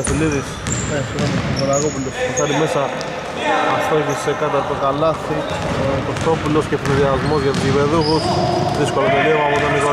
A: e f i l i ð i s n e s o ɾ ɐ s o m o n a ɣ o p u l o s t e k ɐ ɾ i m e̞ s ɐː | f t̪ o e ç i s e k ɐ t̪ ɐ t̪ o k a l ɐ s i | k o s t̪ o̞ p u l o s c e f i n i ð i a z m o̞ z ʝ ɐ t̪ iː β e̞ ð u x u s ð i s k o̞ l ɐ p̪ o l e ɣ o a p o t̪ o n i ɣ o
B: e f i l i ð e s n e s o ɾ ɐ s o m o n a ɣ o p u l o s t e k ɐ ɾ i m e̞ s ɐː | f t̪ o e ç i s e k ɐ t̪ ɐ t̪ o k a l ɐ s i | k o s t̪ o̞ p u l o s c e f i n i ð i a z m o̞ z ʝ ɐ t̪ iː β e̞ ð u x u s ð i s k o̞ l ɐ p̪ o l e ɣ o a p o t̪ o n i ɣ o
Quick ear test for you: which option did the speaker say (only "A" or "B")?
A